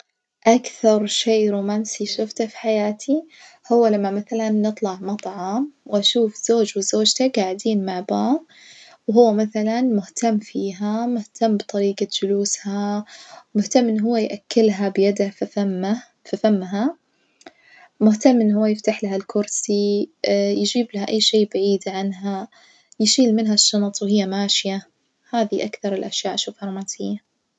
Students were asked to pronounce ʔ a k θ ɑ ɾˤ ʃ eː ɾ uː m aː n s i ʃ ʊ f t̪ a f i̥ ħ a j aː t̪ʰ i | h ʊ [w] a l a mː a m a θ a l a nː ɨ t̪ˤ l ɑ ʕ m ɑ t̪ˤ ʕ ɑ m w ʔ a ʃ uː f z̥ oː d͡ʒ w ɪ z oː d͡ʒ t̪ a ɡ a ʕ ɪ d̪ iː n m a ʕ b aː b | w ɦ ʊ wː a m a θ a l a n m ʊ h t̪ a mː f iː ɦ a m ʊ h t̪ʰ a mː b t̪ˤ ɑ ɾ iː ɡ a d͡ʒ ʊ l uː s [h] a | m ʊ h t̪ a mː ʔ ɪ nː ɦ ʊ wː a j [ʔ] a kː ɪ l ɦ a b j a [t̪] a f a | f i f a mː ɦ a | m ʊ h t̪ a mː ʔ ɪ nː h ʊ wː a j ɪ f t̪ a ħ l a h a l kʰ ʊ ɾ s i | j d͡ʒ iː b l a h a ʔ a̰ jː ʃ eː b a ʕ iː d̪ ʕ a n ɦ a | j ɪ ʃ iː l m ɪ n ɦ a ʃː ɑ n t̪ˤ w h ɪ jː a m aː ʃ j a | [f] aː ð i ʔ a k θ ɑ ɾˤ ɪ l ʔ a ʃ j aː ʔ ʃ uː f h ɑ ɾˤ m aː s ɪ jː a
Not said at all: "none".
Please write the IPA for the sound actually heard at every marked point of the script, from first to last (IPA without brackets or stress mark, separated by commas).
wː, h, ʔ, d̪, h